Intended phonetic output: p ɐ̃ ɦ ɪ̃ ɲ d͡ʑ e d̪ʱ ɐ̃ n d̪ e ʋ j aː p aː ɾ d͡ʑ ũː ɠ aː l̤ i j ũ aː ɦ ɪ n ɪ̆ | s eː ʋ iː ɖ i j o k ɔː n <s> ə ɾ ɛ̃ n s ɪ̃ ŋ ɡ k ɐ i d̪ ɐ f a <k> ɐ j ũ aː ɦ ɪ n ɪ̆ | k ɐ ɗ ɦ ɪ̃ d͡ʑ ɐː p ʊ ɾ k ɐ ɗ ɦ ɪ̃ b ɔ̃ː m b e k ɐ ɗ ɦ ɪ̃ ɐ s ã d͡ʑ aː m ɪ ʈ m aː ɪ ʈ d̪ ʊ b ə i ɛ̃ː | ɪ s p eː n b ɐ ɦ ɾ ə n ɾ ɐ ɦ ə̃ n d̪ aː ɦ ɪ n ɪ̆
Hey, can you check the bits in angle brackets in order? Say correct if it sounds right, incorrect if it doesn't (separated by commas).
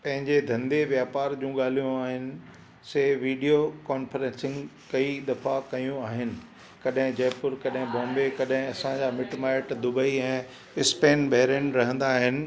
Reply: incorrect, correct